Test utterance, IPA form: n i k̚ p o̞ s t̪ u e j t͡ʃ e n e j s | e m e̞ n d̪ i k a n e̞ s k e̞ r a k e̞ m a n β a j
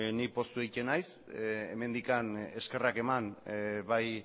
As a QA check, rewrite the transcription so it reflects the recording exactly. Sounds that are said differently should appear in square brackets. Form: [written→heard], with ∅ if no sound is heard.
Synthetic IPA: n i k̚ p o̞ s t̪ u e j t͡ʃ e n [e→a] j s | e m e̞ n d̪ i k a n e̞ s k e̞ r a k e̞ m a n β a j